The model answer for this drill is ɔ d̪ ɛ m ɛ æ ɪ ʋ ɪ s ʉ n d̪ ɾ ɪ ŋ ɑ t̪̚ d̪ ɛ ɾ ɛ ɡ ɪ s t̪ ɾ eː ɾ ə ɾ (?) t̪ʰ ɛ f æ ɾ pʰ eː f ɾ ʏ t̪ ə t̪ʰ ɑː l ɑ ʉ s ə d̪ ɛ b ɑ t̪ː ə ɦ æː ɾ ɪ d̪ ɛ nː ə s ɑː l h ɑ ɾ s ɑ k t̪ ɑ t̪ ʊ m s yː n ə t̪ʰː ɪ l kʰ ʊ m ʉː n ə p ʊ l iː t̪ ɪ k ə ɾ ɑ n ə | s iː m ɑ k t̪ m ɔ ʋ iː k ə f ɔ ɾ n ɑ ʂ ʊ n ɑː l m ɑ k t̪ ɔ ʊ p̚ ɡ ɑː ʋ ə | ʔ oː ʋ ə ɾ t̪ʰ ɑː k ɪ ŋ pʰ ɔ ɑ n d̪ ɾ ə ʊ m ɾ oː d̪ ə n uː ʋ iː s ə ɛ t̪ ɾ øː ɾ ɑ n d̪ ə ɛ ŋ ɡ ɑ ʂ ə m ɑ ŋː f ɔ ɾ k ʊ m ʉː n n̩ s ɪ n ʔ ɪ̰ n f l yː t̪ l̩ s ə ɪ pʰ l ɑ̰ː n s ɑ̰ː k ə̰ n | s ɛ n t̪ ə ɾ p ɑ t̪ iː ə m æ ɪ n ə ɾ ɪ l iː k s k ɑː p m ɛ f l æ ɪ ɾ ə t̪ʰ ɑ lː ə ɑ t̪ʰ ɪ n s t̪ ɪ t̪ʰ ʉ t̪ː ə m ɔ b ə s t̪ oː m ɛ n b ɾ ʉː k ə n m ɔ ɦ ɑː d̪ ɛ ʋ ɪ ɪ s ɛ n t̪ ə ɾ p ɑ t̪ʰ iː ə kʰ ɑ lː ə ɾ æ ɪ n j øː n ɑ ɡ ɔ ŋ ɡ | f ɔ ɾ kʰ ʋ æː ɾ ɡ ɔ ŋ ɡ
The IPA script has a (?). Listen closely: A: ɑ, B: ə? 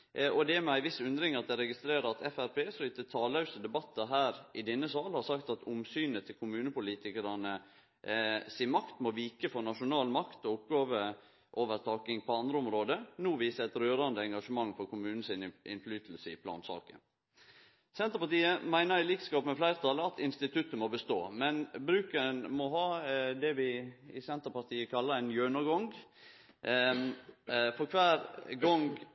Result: A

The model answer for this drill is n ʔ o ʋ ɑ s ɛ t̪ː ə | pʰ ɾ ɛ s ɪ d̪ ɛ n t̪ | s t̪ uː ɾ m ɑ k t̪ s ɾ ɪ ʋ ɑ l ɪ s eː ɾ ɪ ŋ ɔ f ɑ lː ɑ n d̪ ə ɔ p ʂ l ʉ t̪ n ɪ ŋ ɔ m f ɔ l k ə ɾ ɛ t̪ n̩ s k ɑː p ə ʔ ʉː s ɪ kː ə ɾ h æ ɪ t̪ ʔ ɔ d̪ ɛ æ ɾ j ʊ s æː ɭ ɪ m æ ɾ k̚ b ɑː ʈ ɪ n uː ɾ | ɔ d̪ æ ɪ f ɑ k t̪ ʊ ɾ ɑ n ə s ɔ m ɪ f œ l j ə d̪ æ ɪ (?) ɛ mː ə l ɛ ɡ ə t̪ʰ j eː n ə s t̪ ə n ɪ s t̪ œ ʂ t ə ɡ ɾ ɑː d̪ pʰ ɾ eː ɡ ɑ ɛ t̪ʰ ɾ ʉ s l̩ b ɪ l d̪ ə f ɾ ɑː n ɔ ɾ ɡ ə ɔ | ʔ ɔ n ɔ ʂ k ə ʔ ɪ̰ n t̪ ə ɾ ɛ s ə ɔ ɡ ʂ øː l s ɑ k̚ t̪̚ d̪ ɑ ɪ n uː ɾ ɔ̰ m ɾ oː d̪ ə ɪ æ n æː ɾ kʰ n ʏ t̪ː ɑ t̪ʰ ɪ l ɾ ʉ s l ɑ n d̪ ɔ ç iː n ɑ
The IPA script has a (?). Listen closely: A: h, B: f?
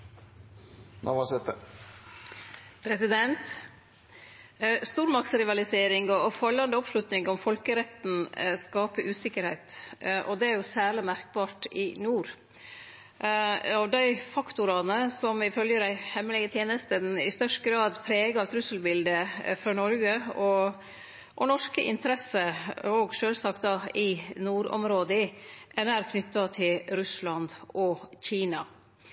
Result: A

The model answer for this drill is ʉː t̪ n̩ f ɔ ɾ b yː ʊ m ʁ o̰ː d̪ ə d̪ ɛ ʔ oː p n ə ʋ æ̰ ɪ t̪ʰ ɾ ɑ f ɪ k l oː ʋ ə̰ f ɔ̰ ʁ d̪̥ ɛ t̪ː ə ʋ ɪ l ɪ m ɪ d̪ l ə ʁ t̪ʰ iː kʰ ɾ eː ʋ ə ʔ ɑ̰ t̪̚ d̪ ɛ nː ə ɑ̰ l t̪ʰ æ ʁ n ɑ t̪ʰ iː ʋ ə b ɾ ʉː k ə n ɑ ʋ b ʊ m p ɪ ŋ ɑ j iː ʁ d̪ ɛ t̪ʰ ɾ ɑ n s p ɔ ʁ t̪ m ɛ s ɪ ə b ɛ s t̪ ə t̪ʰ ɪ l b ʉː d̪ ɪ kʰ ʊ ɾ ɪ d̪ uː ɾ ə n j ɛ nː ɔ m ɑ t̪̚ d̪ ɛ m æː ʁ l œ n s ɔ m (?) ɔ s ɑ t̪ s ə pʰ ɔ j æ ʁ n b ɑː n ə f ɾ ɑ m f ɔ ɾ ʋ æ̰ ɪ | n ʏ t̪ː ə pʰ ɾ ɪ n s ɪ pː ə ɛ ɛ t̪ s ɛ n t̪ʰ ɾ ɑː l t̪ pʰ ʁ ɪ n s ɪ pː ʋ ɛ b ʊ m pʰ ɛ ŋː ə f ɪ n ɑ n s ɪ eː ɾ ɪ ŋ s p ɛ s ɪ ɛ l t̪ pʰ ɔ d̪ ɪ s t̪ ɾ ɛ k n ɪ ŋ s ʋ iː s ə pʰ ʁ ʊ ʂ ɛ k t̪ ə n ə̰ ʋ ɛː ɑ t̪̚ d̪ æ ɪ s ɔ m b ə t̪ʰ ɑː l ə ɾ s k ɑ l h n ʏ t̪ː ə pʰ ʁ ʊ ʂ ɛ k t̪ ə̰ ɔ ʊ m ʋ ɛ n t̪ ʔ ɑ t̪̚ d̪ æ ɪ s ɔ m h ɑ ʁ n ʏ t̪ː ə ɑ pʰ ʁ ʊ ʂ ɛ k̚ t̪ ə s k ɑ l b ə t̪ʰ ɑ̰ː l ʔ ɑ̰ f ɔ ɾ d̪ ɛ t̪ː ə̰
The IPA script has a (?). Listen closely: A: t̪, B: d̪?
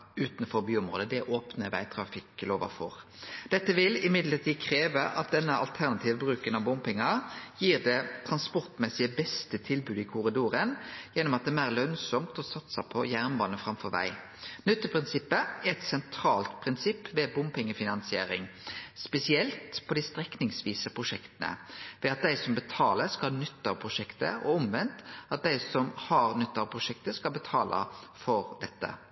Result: A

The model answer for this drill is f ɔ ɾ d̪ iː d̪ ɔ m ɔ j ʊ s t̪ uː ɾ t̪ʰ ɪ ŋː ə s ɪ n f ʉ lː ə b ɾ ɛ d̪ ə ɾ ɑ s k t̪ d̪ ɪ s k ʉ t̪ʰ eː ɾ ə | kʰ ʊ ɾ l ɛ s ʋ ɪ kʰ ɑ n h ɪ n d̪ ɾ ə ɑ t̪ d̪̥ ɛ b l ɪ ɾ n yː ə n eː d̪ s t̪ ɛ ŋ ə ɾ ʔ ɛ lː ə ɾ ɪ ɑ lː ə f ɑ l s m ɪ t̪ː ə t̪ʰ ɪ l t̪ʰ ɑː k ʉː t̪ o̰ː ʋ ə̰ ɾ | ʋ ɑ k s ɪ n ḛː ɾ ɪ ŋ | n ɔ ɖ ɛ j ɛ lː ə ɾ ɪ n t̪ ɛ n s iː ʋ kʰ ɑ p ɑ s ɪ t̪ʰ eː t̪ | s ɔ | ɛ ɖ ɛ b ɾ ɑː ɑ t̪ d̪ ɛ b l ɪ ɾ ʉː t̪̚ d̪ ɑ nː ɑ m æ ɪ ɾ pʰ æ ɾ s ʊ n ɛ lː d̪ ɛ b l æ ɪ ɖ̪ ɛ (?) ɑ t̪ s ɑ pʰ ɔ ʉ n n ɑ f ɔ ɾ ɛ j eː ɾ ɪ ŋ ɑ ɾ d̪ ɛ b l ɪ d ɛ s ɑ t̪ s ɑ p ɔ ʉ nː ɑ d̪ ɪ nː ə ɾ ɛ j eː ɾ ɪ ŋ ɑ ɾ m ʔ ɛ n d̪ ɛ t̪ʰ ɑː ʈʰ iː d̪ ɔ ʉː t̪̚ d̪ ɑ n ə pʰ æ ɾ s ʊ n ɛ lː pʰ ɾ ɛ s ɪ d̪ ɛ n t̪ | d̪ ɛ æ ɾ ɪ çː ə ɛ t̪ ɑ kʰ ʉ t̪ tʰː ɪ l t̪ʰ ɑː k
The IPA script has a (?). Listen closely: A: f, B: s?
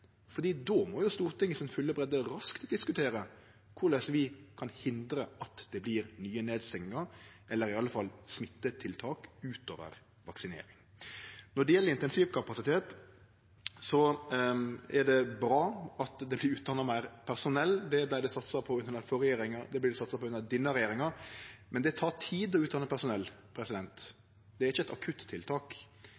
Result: B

